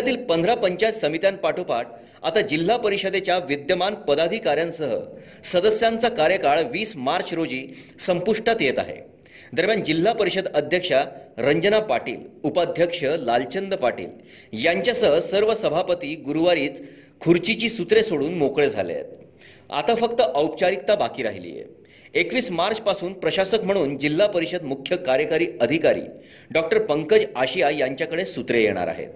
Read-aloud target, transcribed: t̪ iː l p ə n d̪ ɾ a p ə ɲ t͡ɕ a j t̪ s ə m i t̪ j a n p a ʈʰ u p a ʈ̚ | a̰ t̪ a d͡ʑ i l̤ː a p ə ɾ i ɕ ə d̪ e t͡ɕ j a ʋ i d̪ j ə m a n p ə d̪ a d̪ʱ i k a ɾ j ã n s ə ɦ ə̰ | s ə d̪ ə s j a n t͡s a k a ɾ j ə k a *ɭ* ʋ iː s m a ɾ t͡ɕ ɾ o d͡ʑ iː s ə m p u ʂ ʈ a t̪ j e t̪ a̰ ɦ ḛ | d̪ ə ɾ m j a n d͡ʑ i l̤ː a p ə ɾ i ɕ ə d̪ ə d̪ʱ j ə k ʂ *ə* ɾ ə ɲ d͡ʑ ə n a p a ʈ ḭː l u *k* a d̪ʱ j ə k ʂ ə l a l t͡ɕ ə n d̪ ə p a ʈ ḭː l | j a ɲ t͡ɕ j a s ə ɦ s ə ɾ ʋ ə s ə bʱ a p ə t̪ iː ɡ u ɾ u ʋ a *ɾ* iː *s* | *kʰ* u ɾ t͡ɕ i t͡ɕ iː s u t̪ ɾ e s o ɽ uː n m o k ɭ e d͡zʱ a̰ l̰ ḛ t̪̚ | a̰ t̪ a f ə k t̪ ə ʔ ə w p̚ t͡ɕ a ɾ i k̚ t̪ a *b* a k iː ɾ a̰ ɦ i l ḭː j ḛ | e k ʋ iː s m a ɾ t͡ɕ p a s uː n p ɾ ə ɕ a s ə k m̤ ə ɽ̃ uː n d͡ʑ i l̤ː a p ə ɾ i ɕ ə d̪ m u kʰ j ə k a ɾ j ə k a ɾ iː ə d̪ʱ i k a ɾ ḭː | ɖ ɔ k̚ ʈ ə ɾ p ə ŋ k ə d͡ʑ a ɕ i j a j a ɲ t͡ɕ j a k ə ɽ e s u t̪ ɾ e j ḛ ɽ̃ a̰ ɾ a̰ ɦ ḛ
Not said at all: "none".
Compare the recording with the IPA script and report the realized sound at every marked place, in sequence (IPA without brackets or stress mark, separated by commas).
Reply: ɭ, a, p, ɾ, t͡s, kʰ, b